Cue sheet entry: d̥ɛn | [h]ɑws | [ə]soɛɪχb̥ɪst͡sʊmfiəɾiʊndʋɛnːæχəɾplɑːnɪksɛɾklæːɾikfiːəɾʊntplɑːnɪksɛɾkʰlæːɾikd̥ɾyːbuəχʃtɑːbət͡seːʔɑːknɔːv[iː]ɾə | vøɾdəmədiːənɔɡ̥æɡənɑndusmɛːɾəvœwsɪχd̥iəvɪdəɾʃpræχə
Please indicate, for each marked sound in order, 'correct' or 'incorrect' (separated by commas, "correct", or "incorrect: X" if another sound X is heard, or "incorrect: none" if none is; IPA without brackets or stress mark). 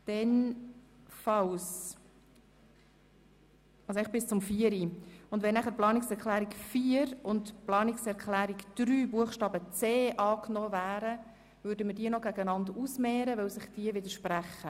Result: incorrect: f, incorrect: ɑ, incorrect: æː